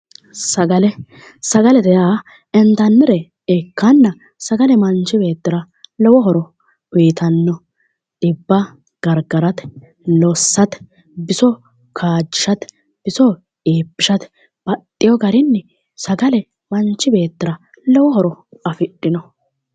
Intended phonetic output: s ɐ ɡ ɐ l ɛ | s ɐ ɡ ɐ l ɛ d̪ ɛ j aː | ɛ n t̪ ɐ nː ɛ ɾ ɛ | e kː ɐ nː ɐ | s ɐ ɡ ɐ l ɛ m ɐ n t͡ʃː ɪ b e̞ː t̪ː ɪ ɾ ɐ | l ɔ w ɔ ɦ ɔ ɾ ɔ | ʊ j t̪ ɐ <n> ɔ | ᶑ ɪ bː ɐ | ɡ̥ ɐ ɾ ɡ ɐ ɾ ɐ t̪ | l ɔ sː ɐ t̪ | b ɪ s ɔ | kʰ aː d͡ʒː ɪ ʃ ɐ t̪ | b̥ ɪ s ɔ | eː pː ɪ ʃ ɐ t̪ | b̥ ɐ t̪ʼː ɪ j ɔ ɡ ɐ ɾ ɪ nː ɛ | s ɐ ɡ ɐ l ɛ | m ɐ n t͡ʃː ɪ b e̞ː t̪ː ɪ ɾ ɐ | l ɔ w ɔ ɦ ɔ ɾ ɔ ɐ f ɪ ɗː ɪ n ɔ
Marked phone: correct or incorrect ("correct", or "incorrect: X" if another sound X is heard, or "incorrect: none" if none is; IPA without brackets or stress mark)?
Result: incorrect: nː